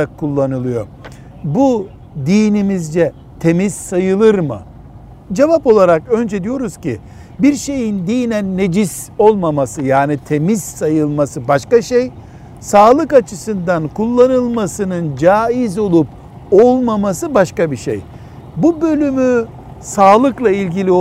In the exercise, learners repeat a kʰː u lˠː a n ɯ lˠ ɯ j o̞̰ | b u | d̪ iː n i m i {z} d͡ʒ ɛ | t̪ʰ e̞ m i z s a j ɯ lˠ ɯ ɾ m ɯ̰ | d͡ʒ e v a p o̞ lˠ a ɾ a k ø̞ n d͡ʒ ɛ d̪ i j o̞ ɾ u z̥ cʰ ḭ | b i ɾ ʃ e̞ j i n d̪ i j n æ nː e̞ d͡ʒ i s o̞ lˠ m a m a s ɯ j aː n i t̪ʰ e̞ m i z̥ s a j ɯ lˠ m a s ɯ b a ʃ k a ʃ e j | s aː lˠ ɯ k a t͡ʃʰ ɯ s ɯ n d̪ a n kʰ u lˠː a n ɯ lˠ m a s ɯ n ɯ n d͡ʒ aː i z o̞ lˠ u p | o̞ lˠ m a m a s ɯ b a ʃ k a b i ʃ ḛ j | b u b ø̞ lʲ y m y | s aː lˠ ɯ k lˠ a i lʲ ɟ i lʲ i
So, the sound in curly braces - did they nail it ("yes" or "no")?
yes